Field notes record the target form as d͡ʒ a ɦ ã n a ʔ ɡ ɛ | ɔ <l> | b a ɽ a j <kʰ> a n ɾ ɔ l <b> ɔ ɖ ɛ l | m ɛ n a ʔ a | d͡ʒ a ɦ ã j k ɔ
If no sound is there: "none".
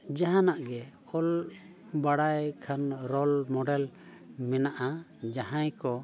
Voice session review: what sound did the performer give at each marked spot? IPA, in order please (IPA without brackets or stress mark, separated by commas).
l, kʰ, m